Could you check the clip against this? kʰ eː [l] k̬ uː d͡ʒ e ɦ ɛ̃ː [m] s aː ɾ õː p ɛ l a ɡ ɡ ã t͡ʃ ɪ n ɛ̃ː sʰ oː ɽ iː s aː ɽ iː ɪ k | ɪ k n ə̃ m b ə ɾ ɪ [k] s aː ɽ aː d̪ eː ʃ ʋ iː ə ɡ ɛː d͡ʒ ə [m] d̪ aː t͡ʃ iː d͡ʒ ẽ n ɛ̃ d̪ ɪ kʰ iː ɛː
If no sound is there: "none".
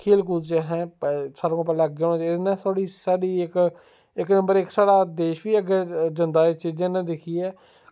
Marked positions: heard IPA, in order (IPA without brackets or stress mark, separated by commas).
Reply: l, none, k, n